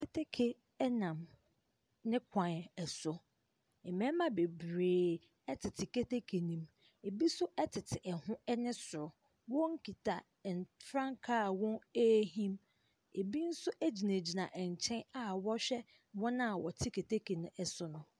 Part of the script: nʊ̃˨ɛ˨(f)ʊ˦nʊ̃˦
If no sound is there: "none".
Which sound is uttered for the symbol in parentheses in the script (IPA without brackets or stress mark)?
s